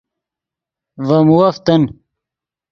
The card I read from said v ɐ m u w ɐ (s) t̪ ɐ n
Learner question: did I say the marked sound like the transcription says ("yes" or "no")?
no